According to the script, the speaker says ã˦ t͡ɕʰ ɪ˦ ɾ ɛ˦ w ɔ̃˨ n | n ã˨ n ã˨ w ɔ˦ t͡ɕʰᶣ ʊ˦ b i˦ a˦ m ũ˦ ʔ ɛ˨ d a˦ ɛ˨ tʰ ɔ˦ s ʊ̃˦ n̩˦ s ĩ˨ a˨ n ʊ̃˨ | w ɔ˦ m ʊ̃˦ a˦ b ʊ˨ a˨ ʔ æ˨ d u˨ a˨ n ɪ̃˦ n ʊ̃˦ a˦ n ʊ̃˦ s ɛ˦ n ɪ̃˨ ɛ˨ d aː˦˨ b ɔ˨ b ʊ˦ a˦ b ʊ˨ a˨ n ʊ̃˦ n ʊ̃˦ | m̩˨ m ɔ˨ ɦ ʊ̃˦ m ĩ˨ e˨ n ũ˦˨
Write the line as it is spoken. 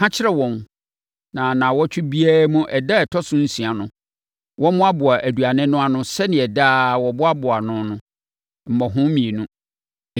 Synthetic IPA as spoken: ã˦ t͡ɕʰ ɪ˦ ɾ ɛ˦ w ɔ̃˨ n | n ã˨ n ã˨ w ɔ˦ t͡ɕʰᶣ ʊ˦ b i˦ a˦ m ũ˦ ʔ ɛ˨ d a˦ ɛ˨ tʰ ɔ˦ s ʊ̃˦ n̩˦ s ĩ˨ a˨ n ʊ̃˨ | w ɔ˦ m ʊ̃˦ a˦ b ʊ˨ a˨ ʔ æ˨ d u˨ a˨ n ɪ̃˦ n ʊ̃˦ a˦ n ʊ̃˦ s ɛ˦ n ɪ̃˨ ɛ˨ d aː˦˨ w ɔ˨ b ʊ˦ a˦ b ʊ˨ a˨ n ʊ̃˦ n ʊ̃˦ | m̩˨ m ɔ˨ ɦ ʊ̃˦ m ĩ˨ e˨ n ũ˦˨